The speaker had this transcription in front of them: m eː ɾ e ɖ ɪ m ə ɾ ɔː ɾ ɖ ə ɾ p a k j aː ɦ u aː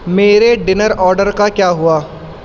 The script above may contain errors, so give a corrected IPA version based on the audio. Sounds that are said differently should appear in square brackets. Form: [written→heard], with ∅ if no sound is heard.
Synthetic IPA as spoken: m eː ɾ e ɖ ɪ [m→n] ə ɾ ɔː ɾ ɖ ə ɾ [p→k] a k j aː ɦ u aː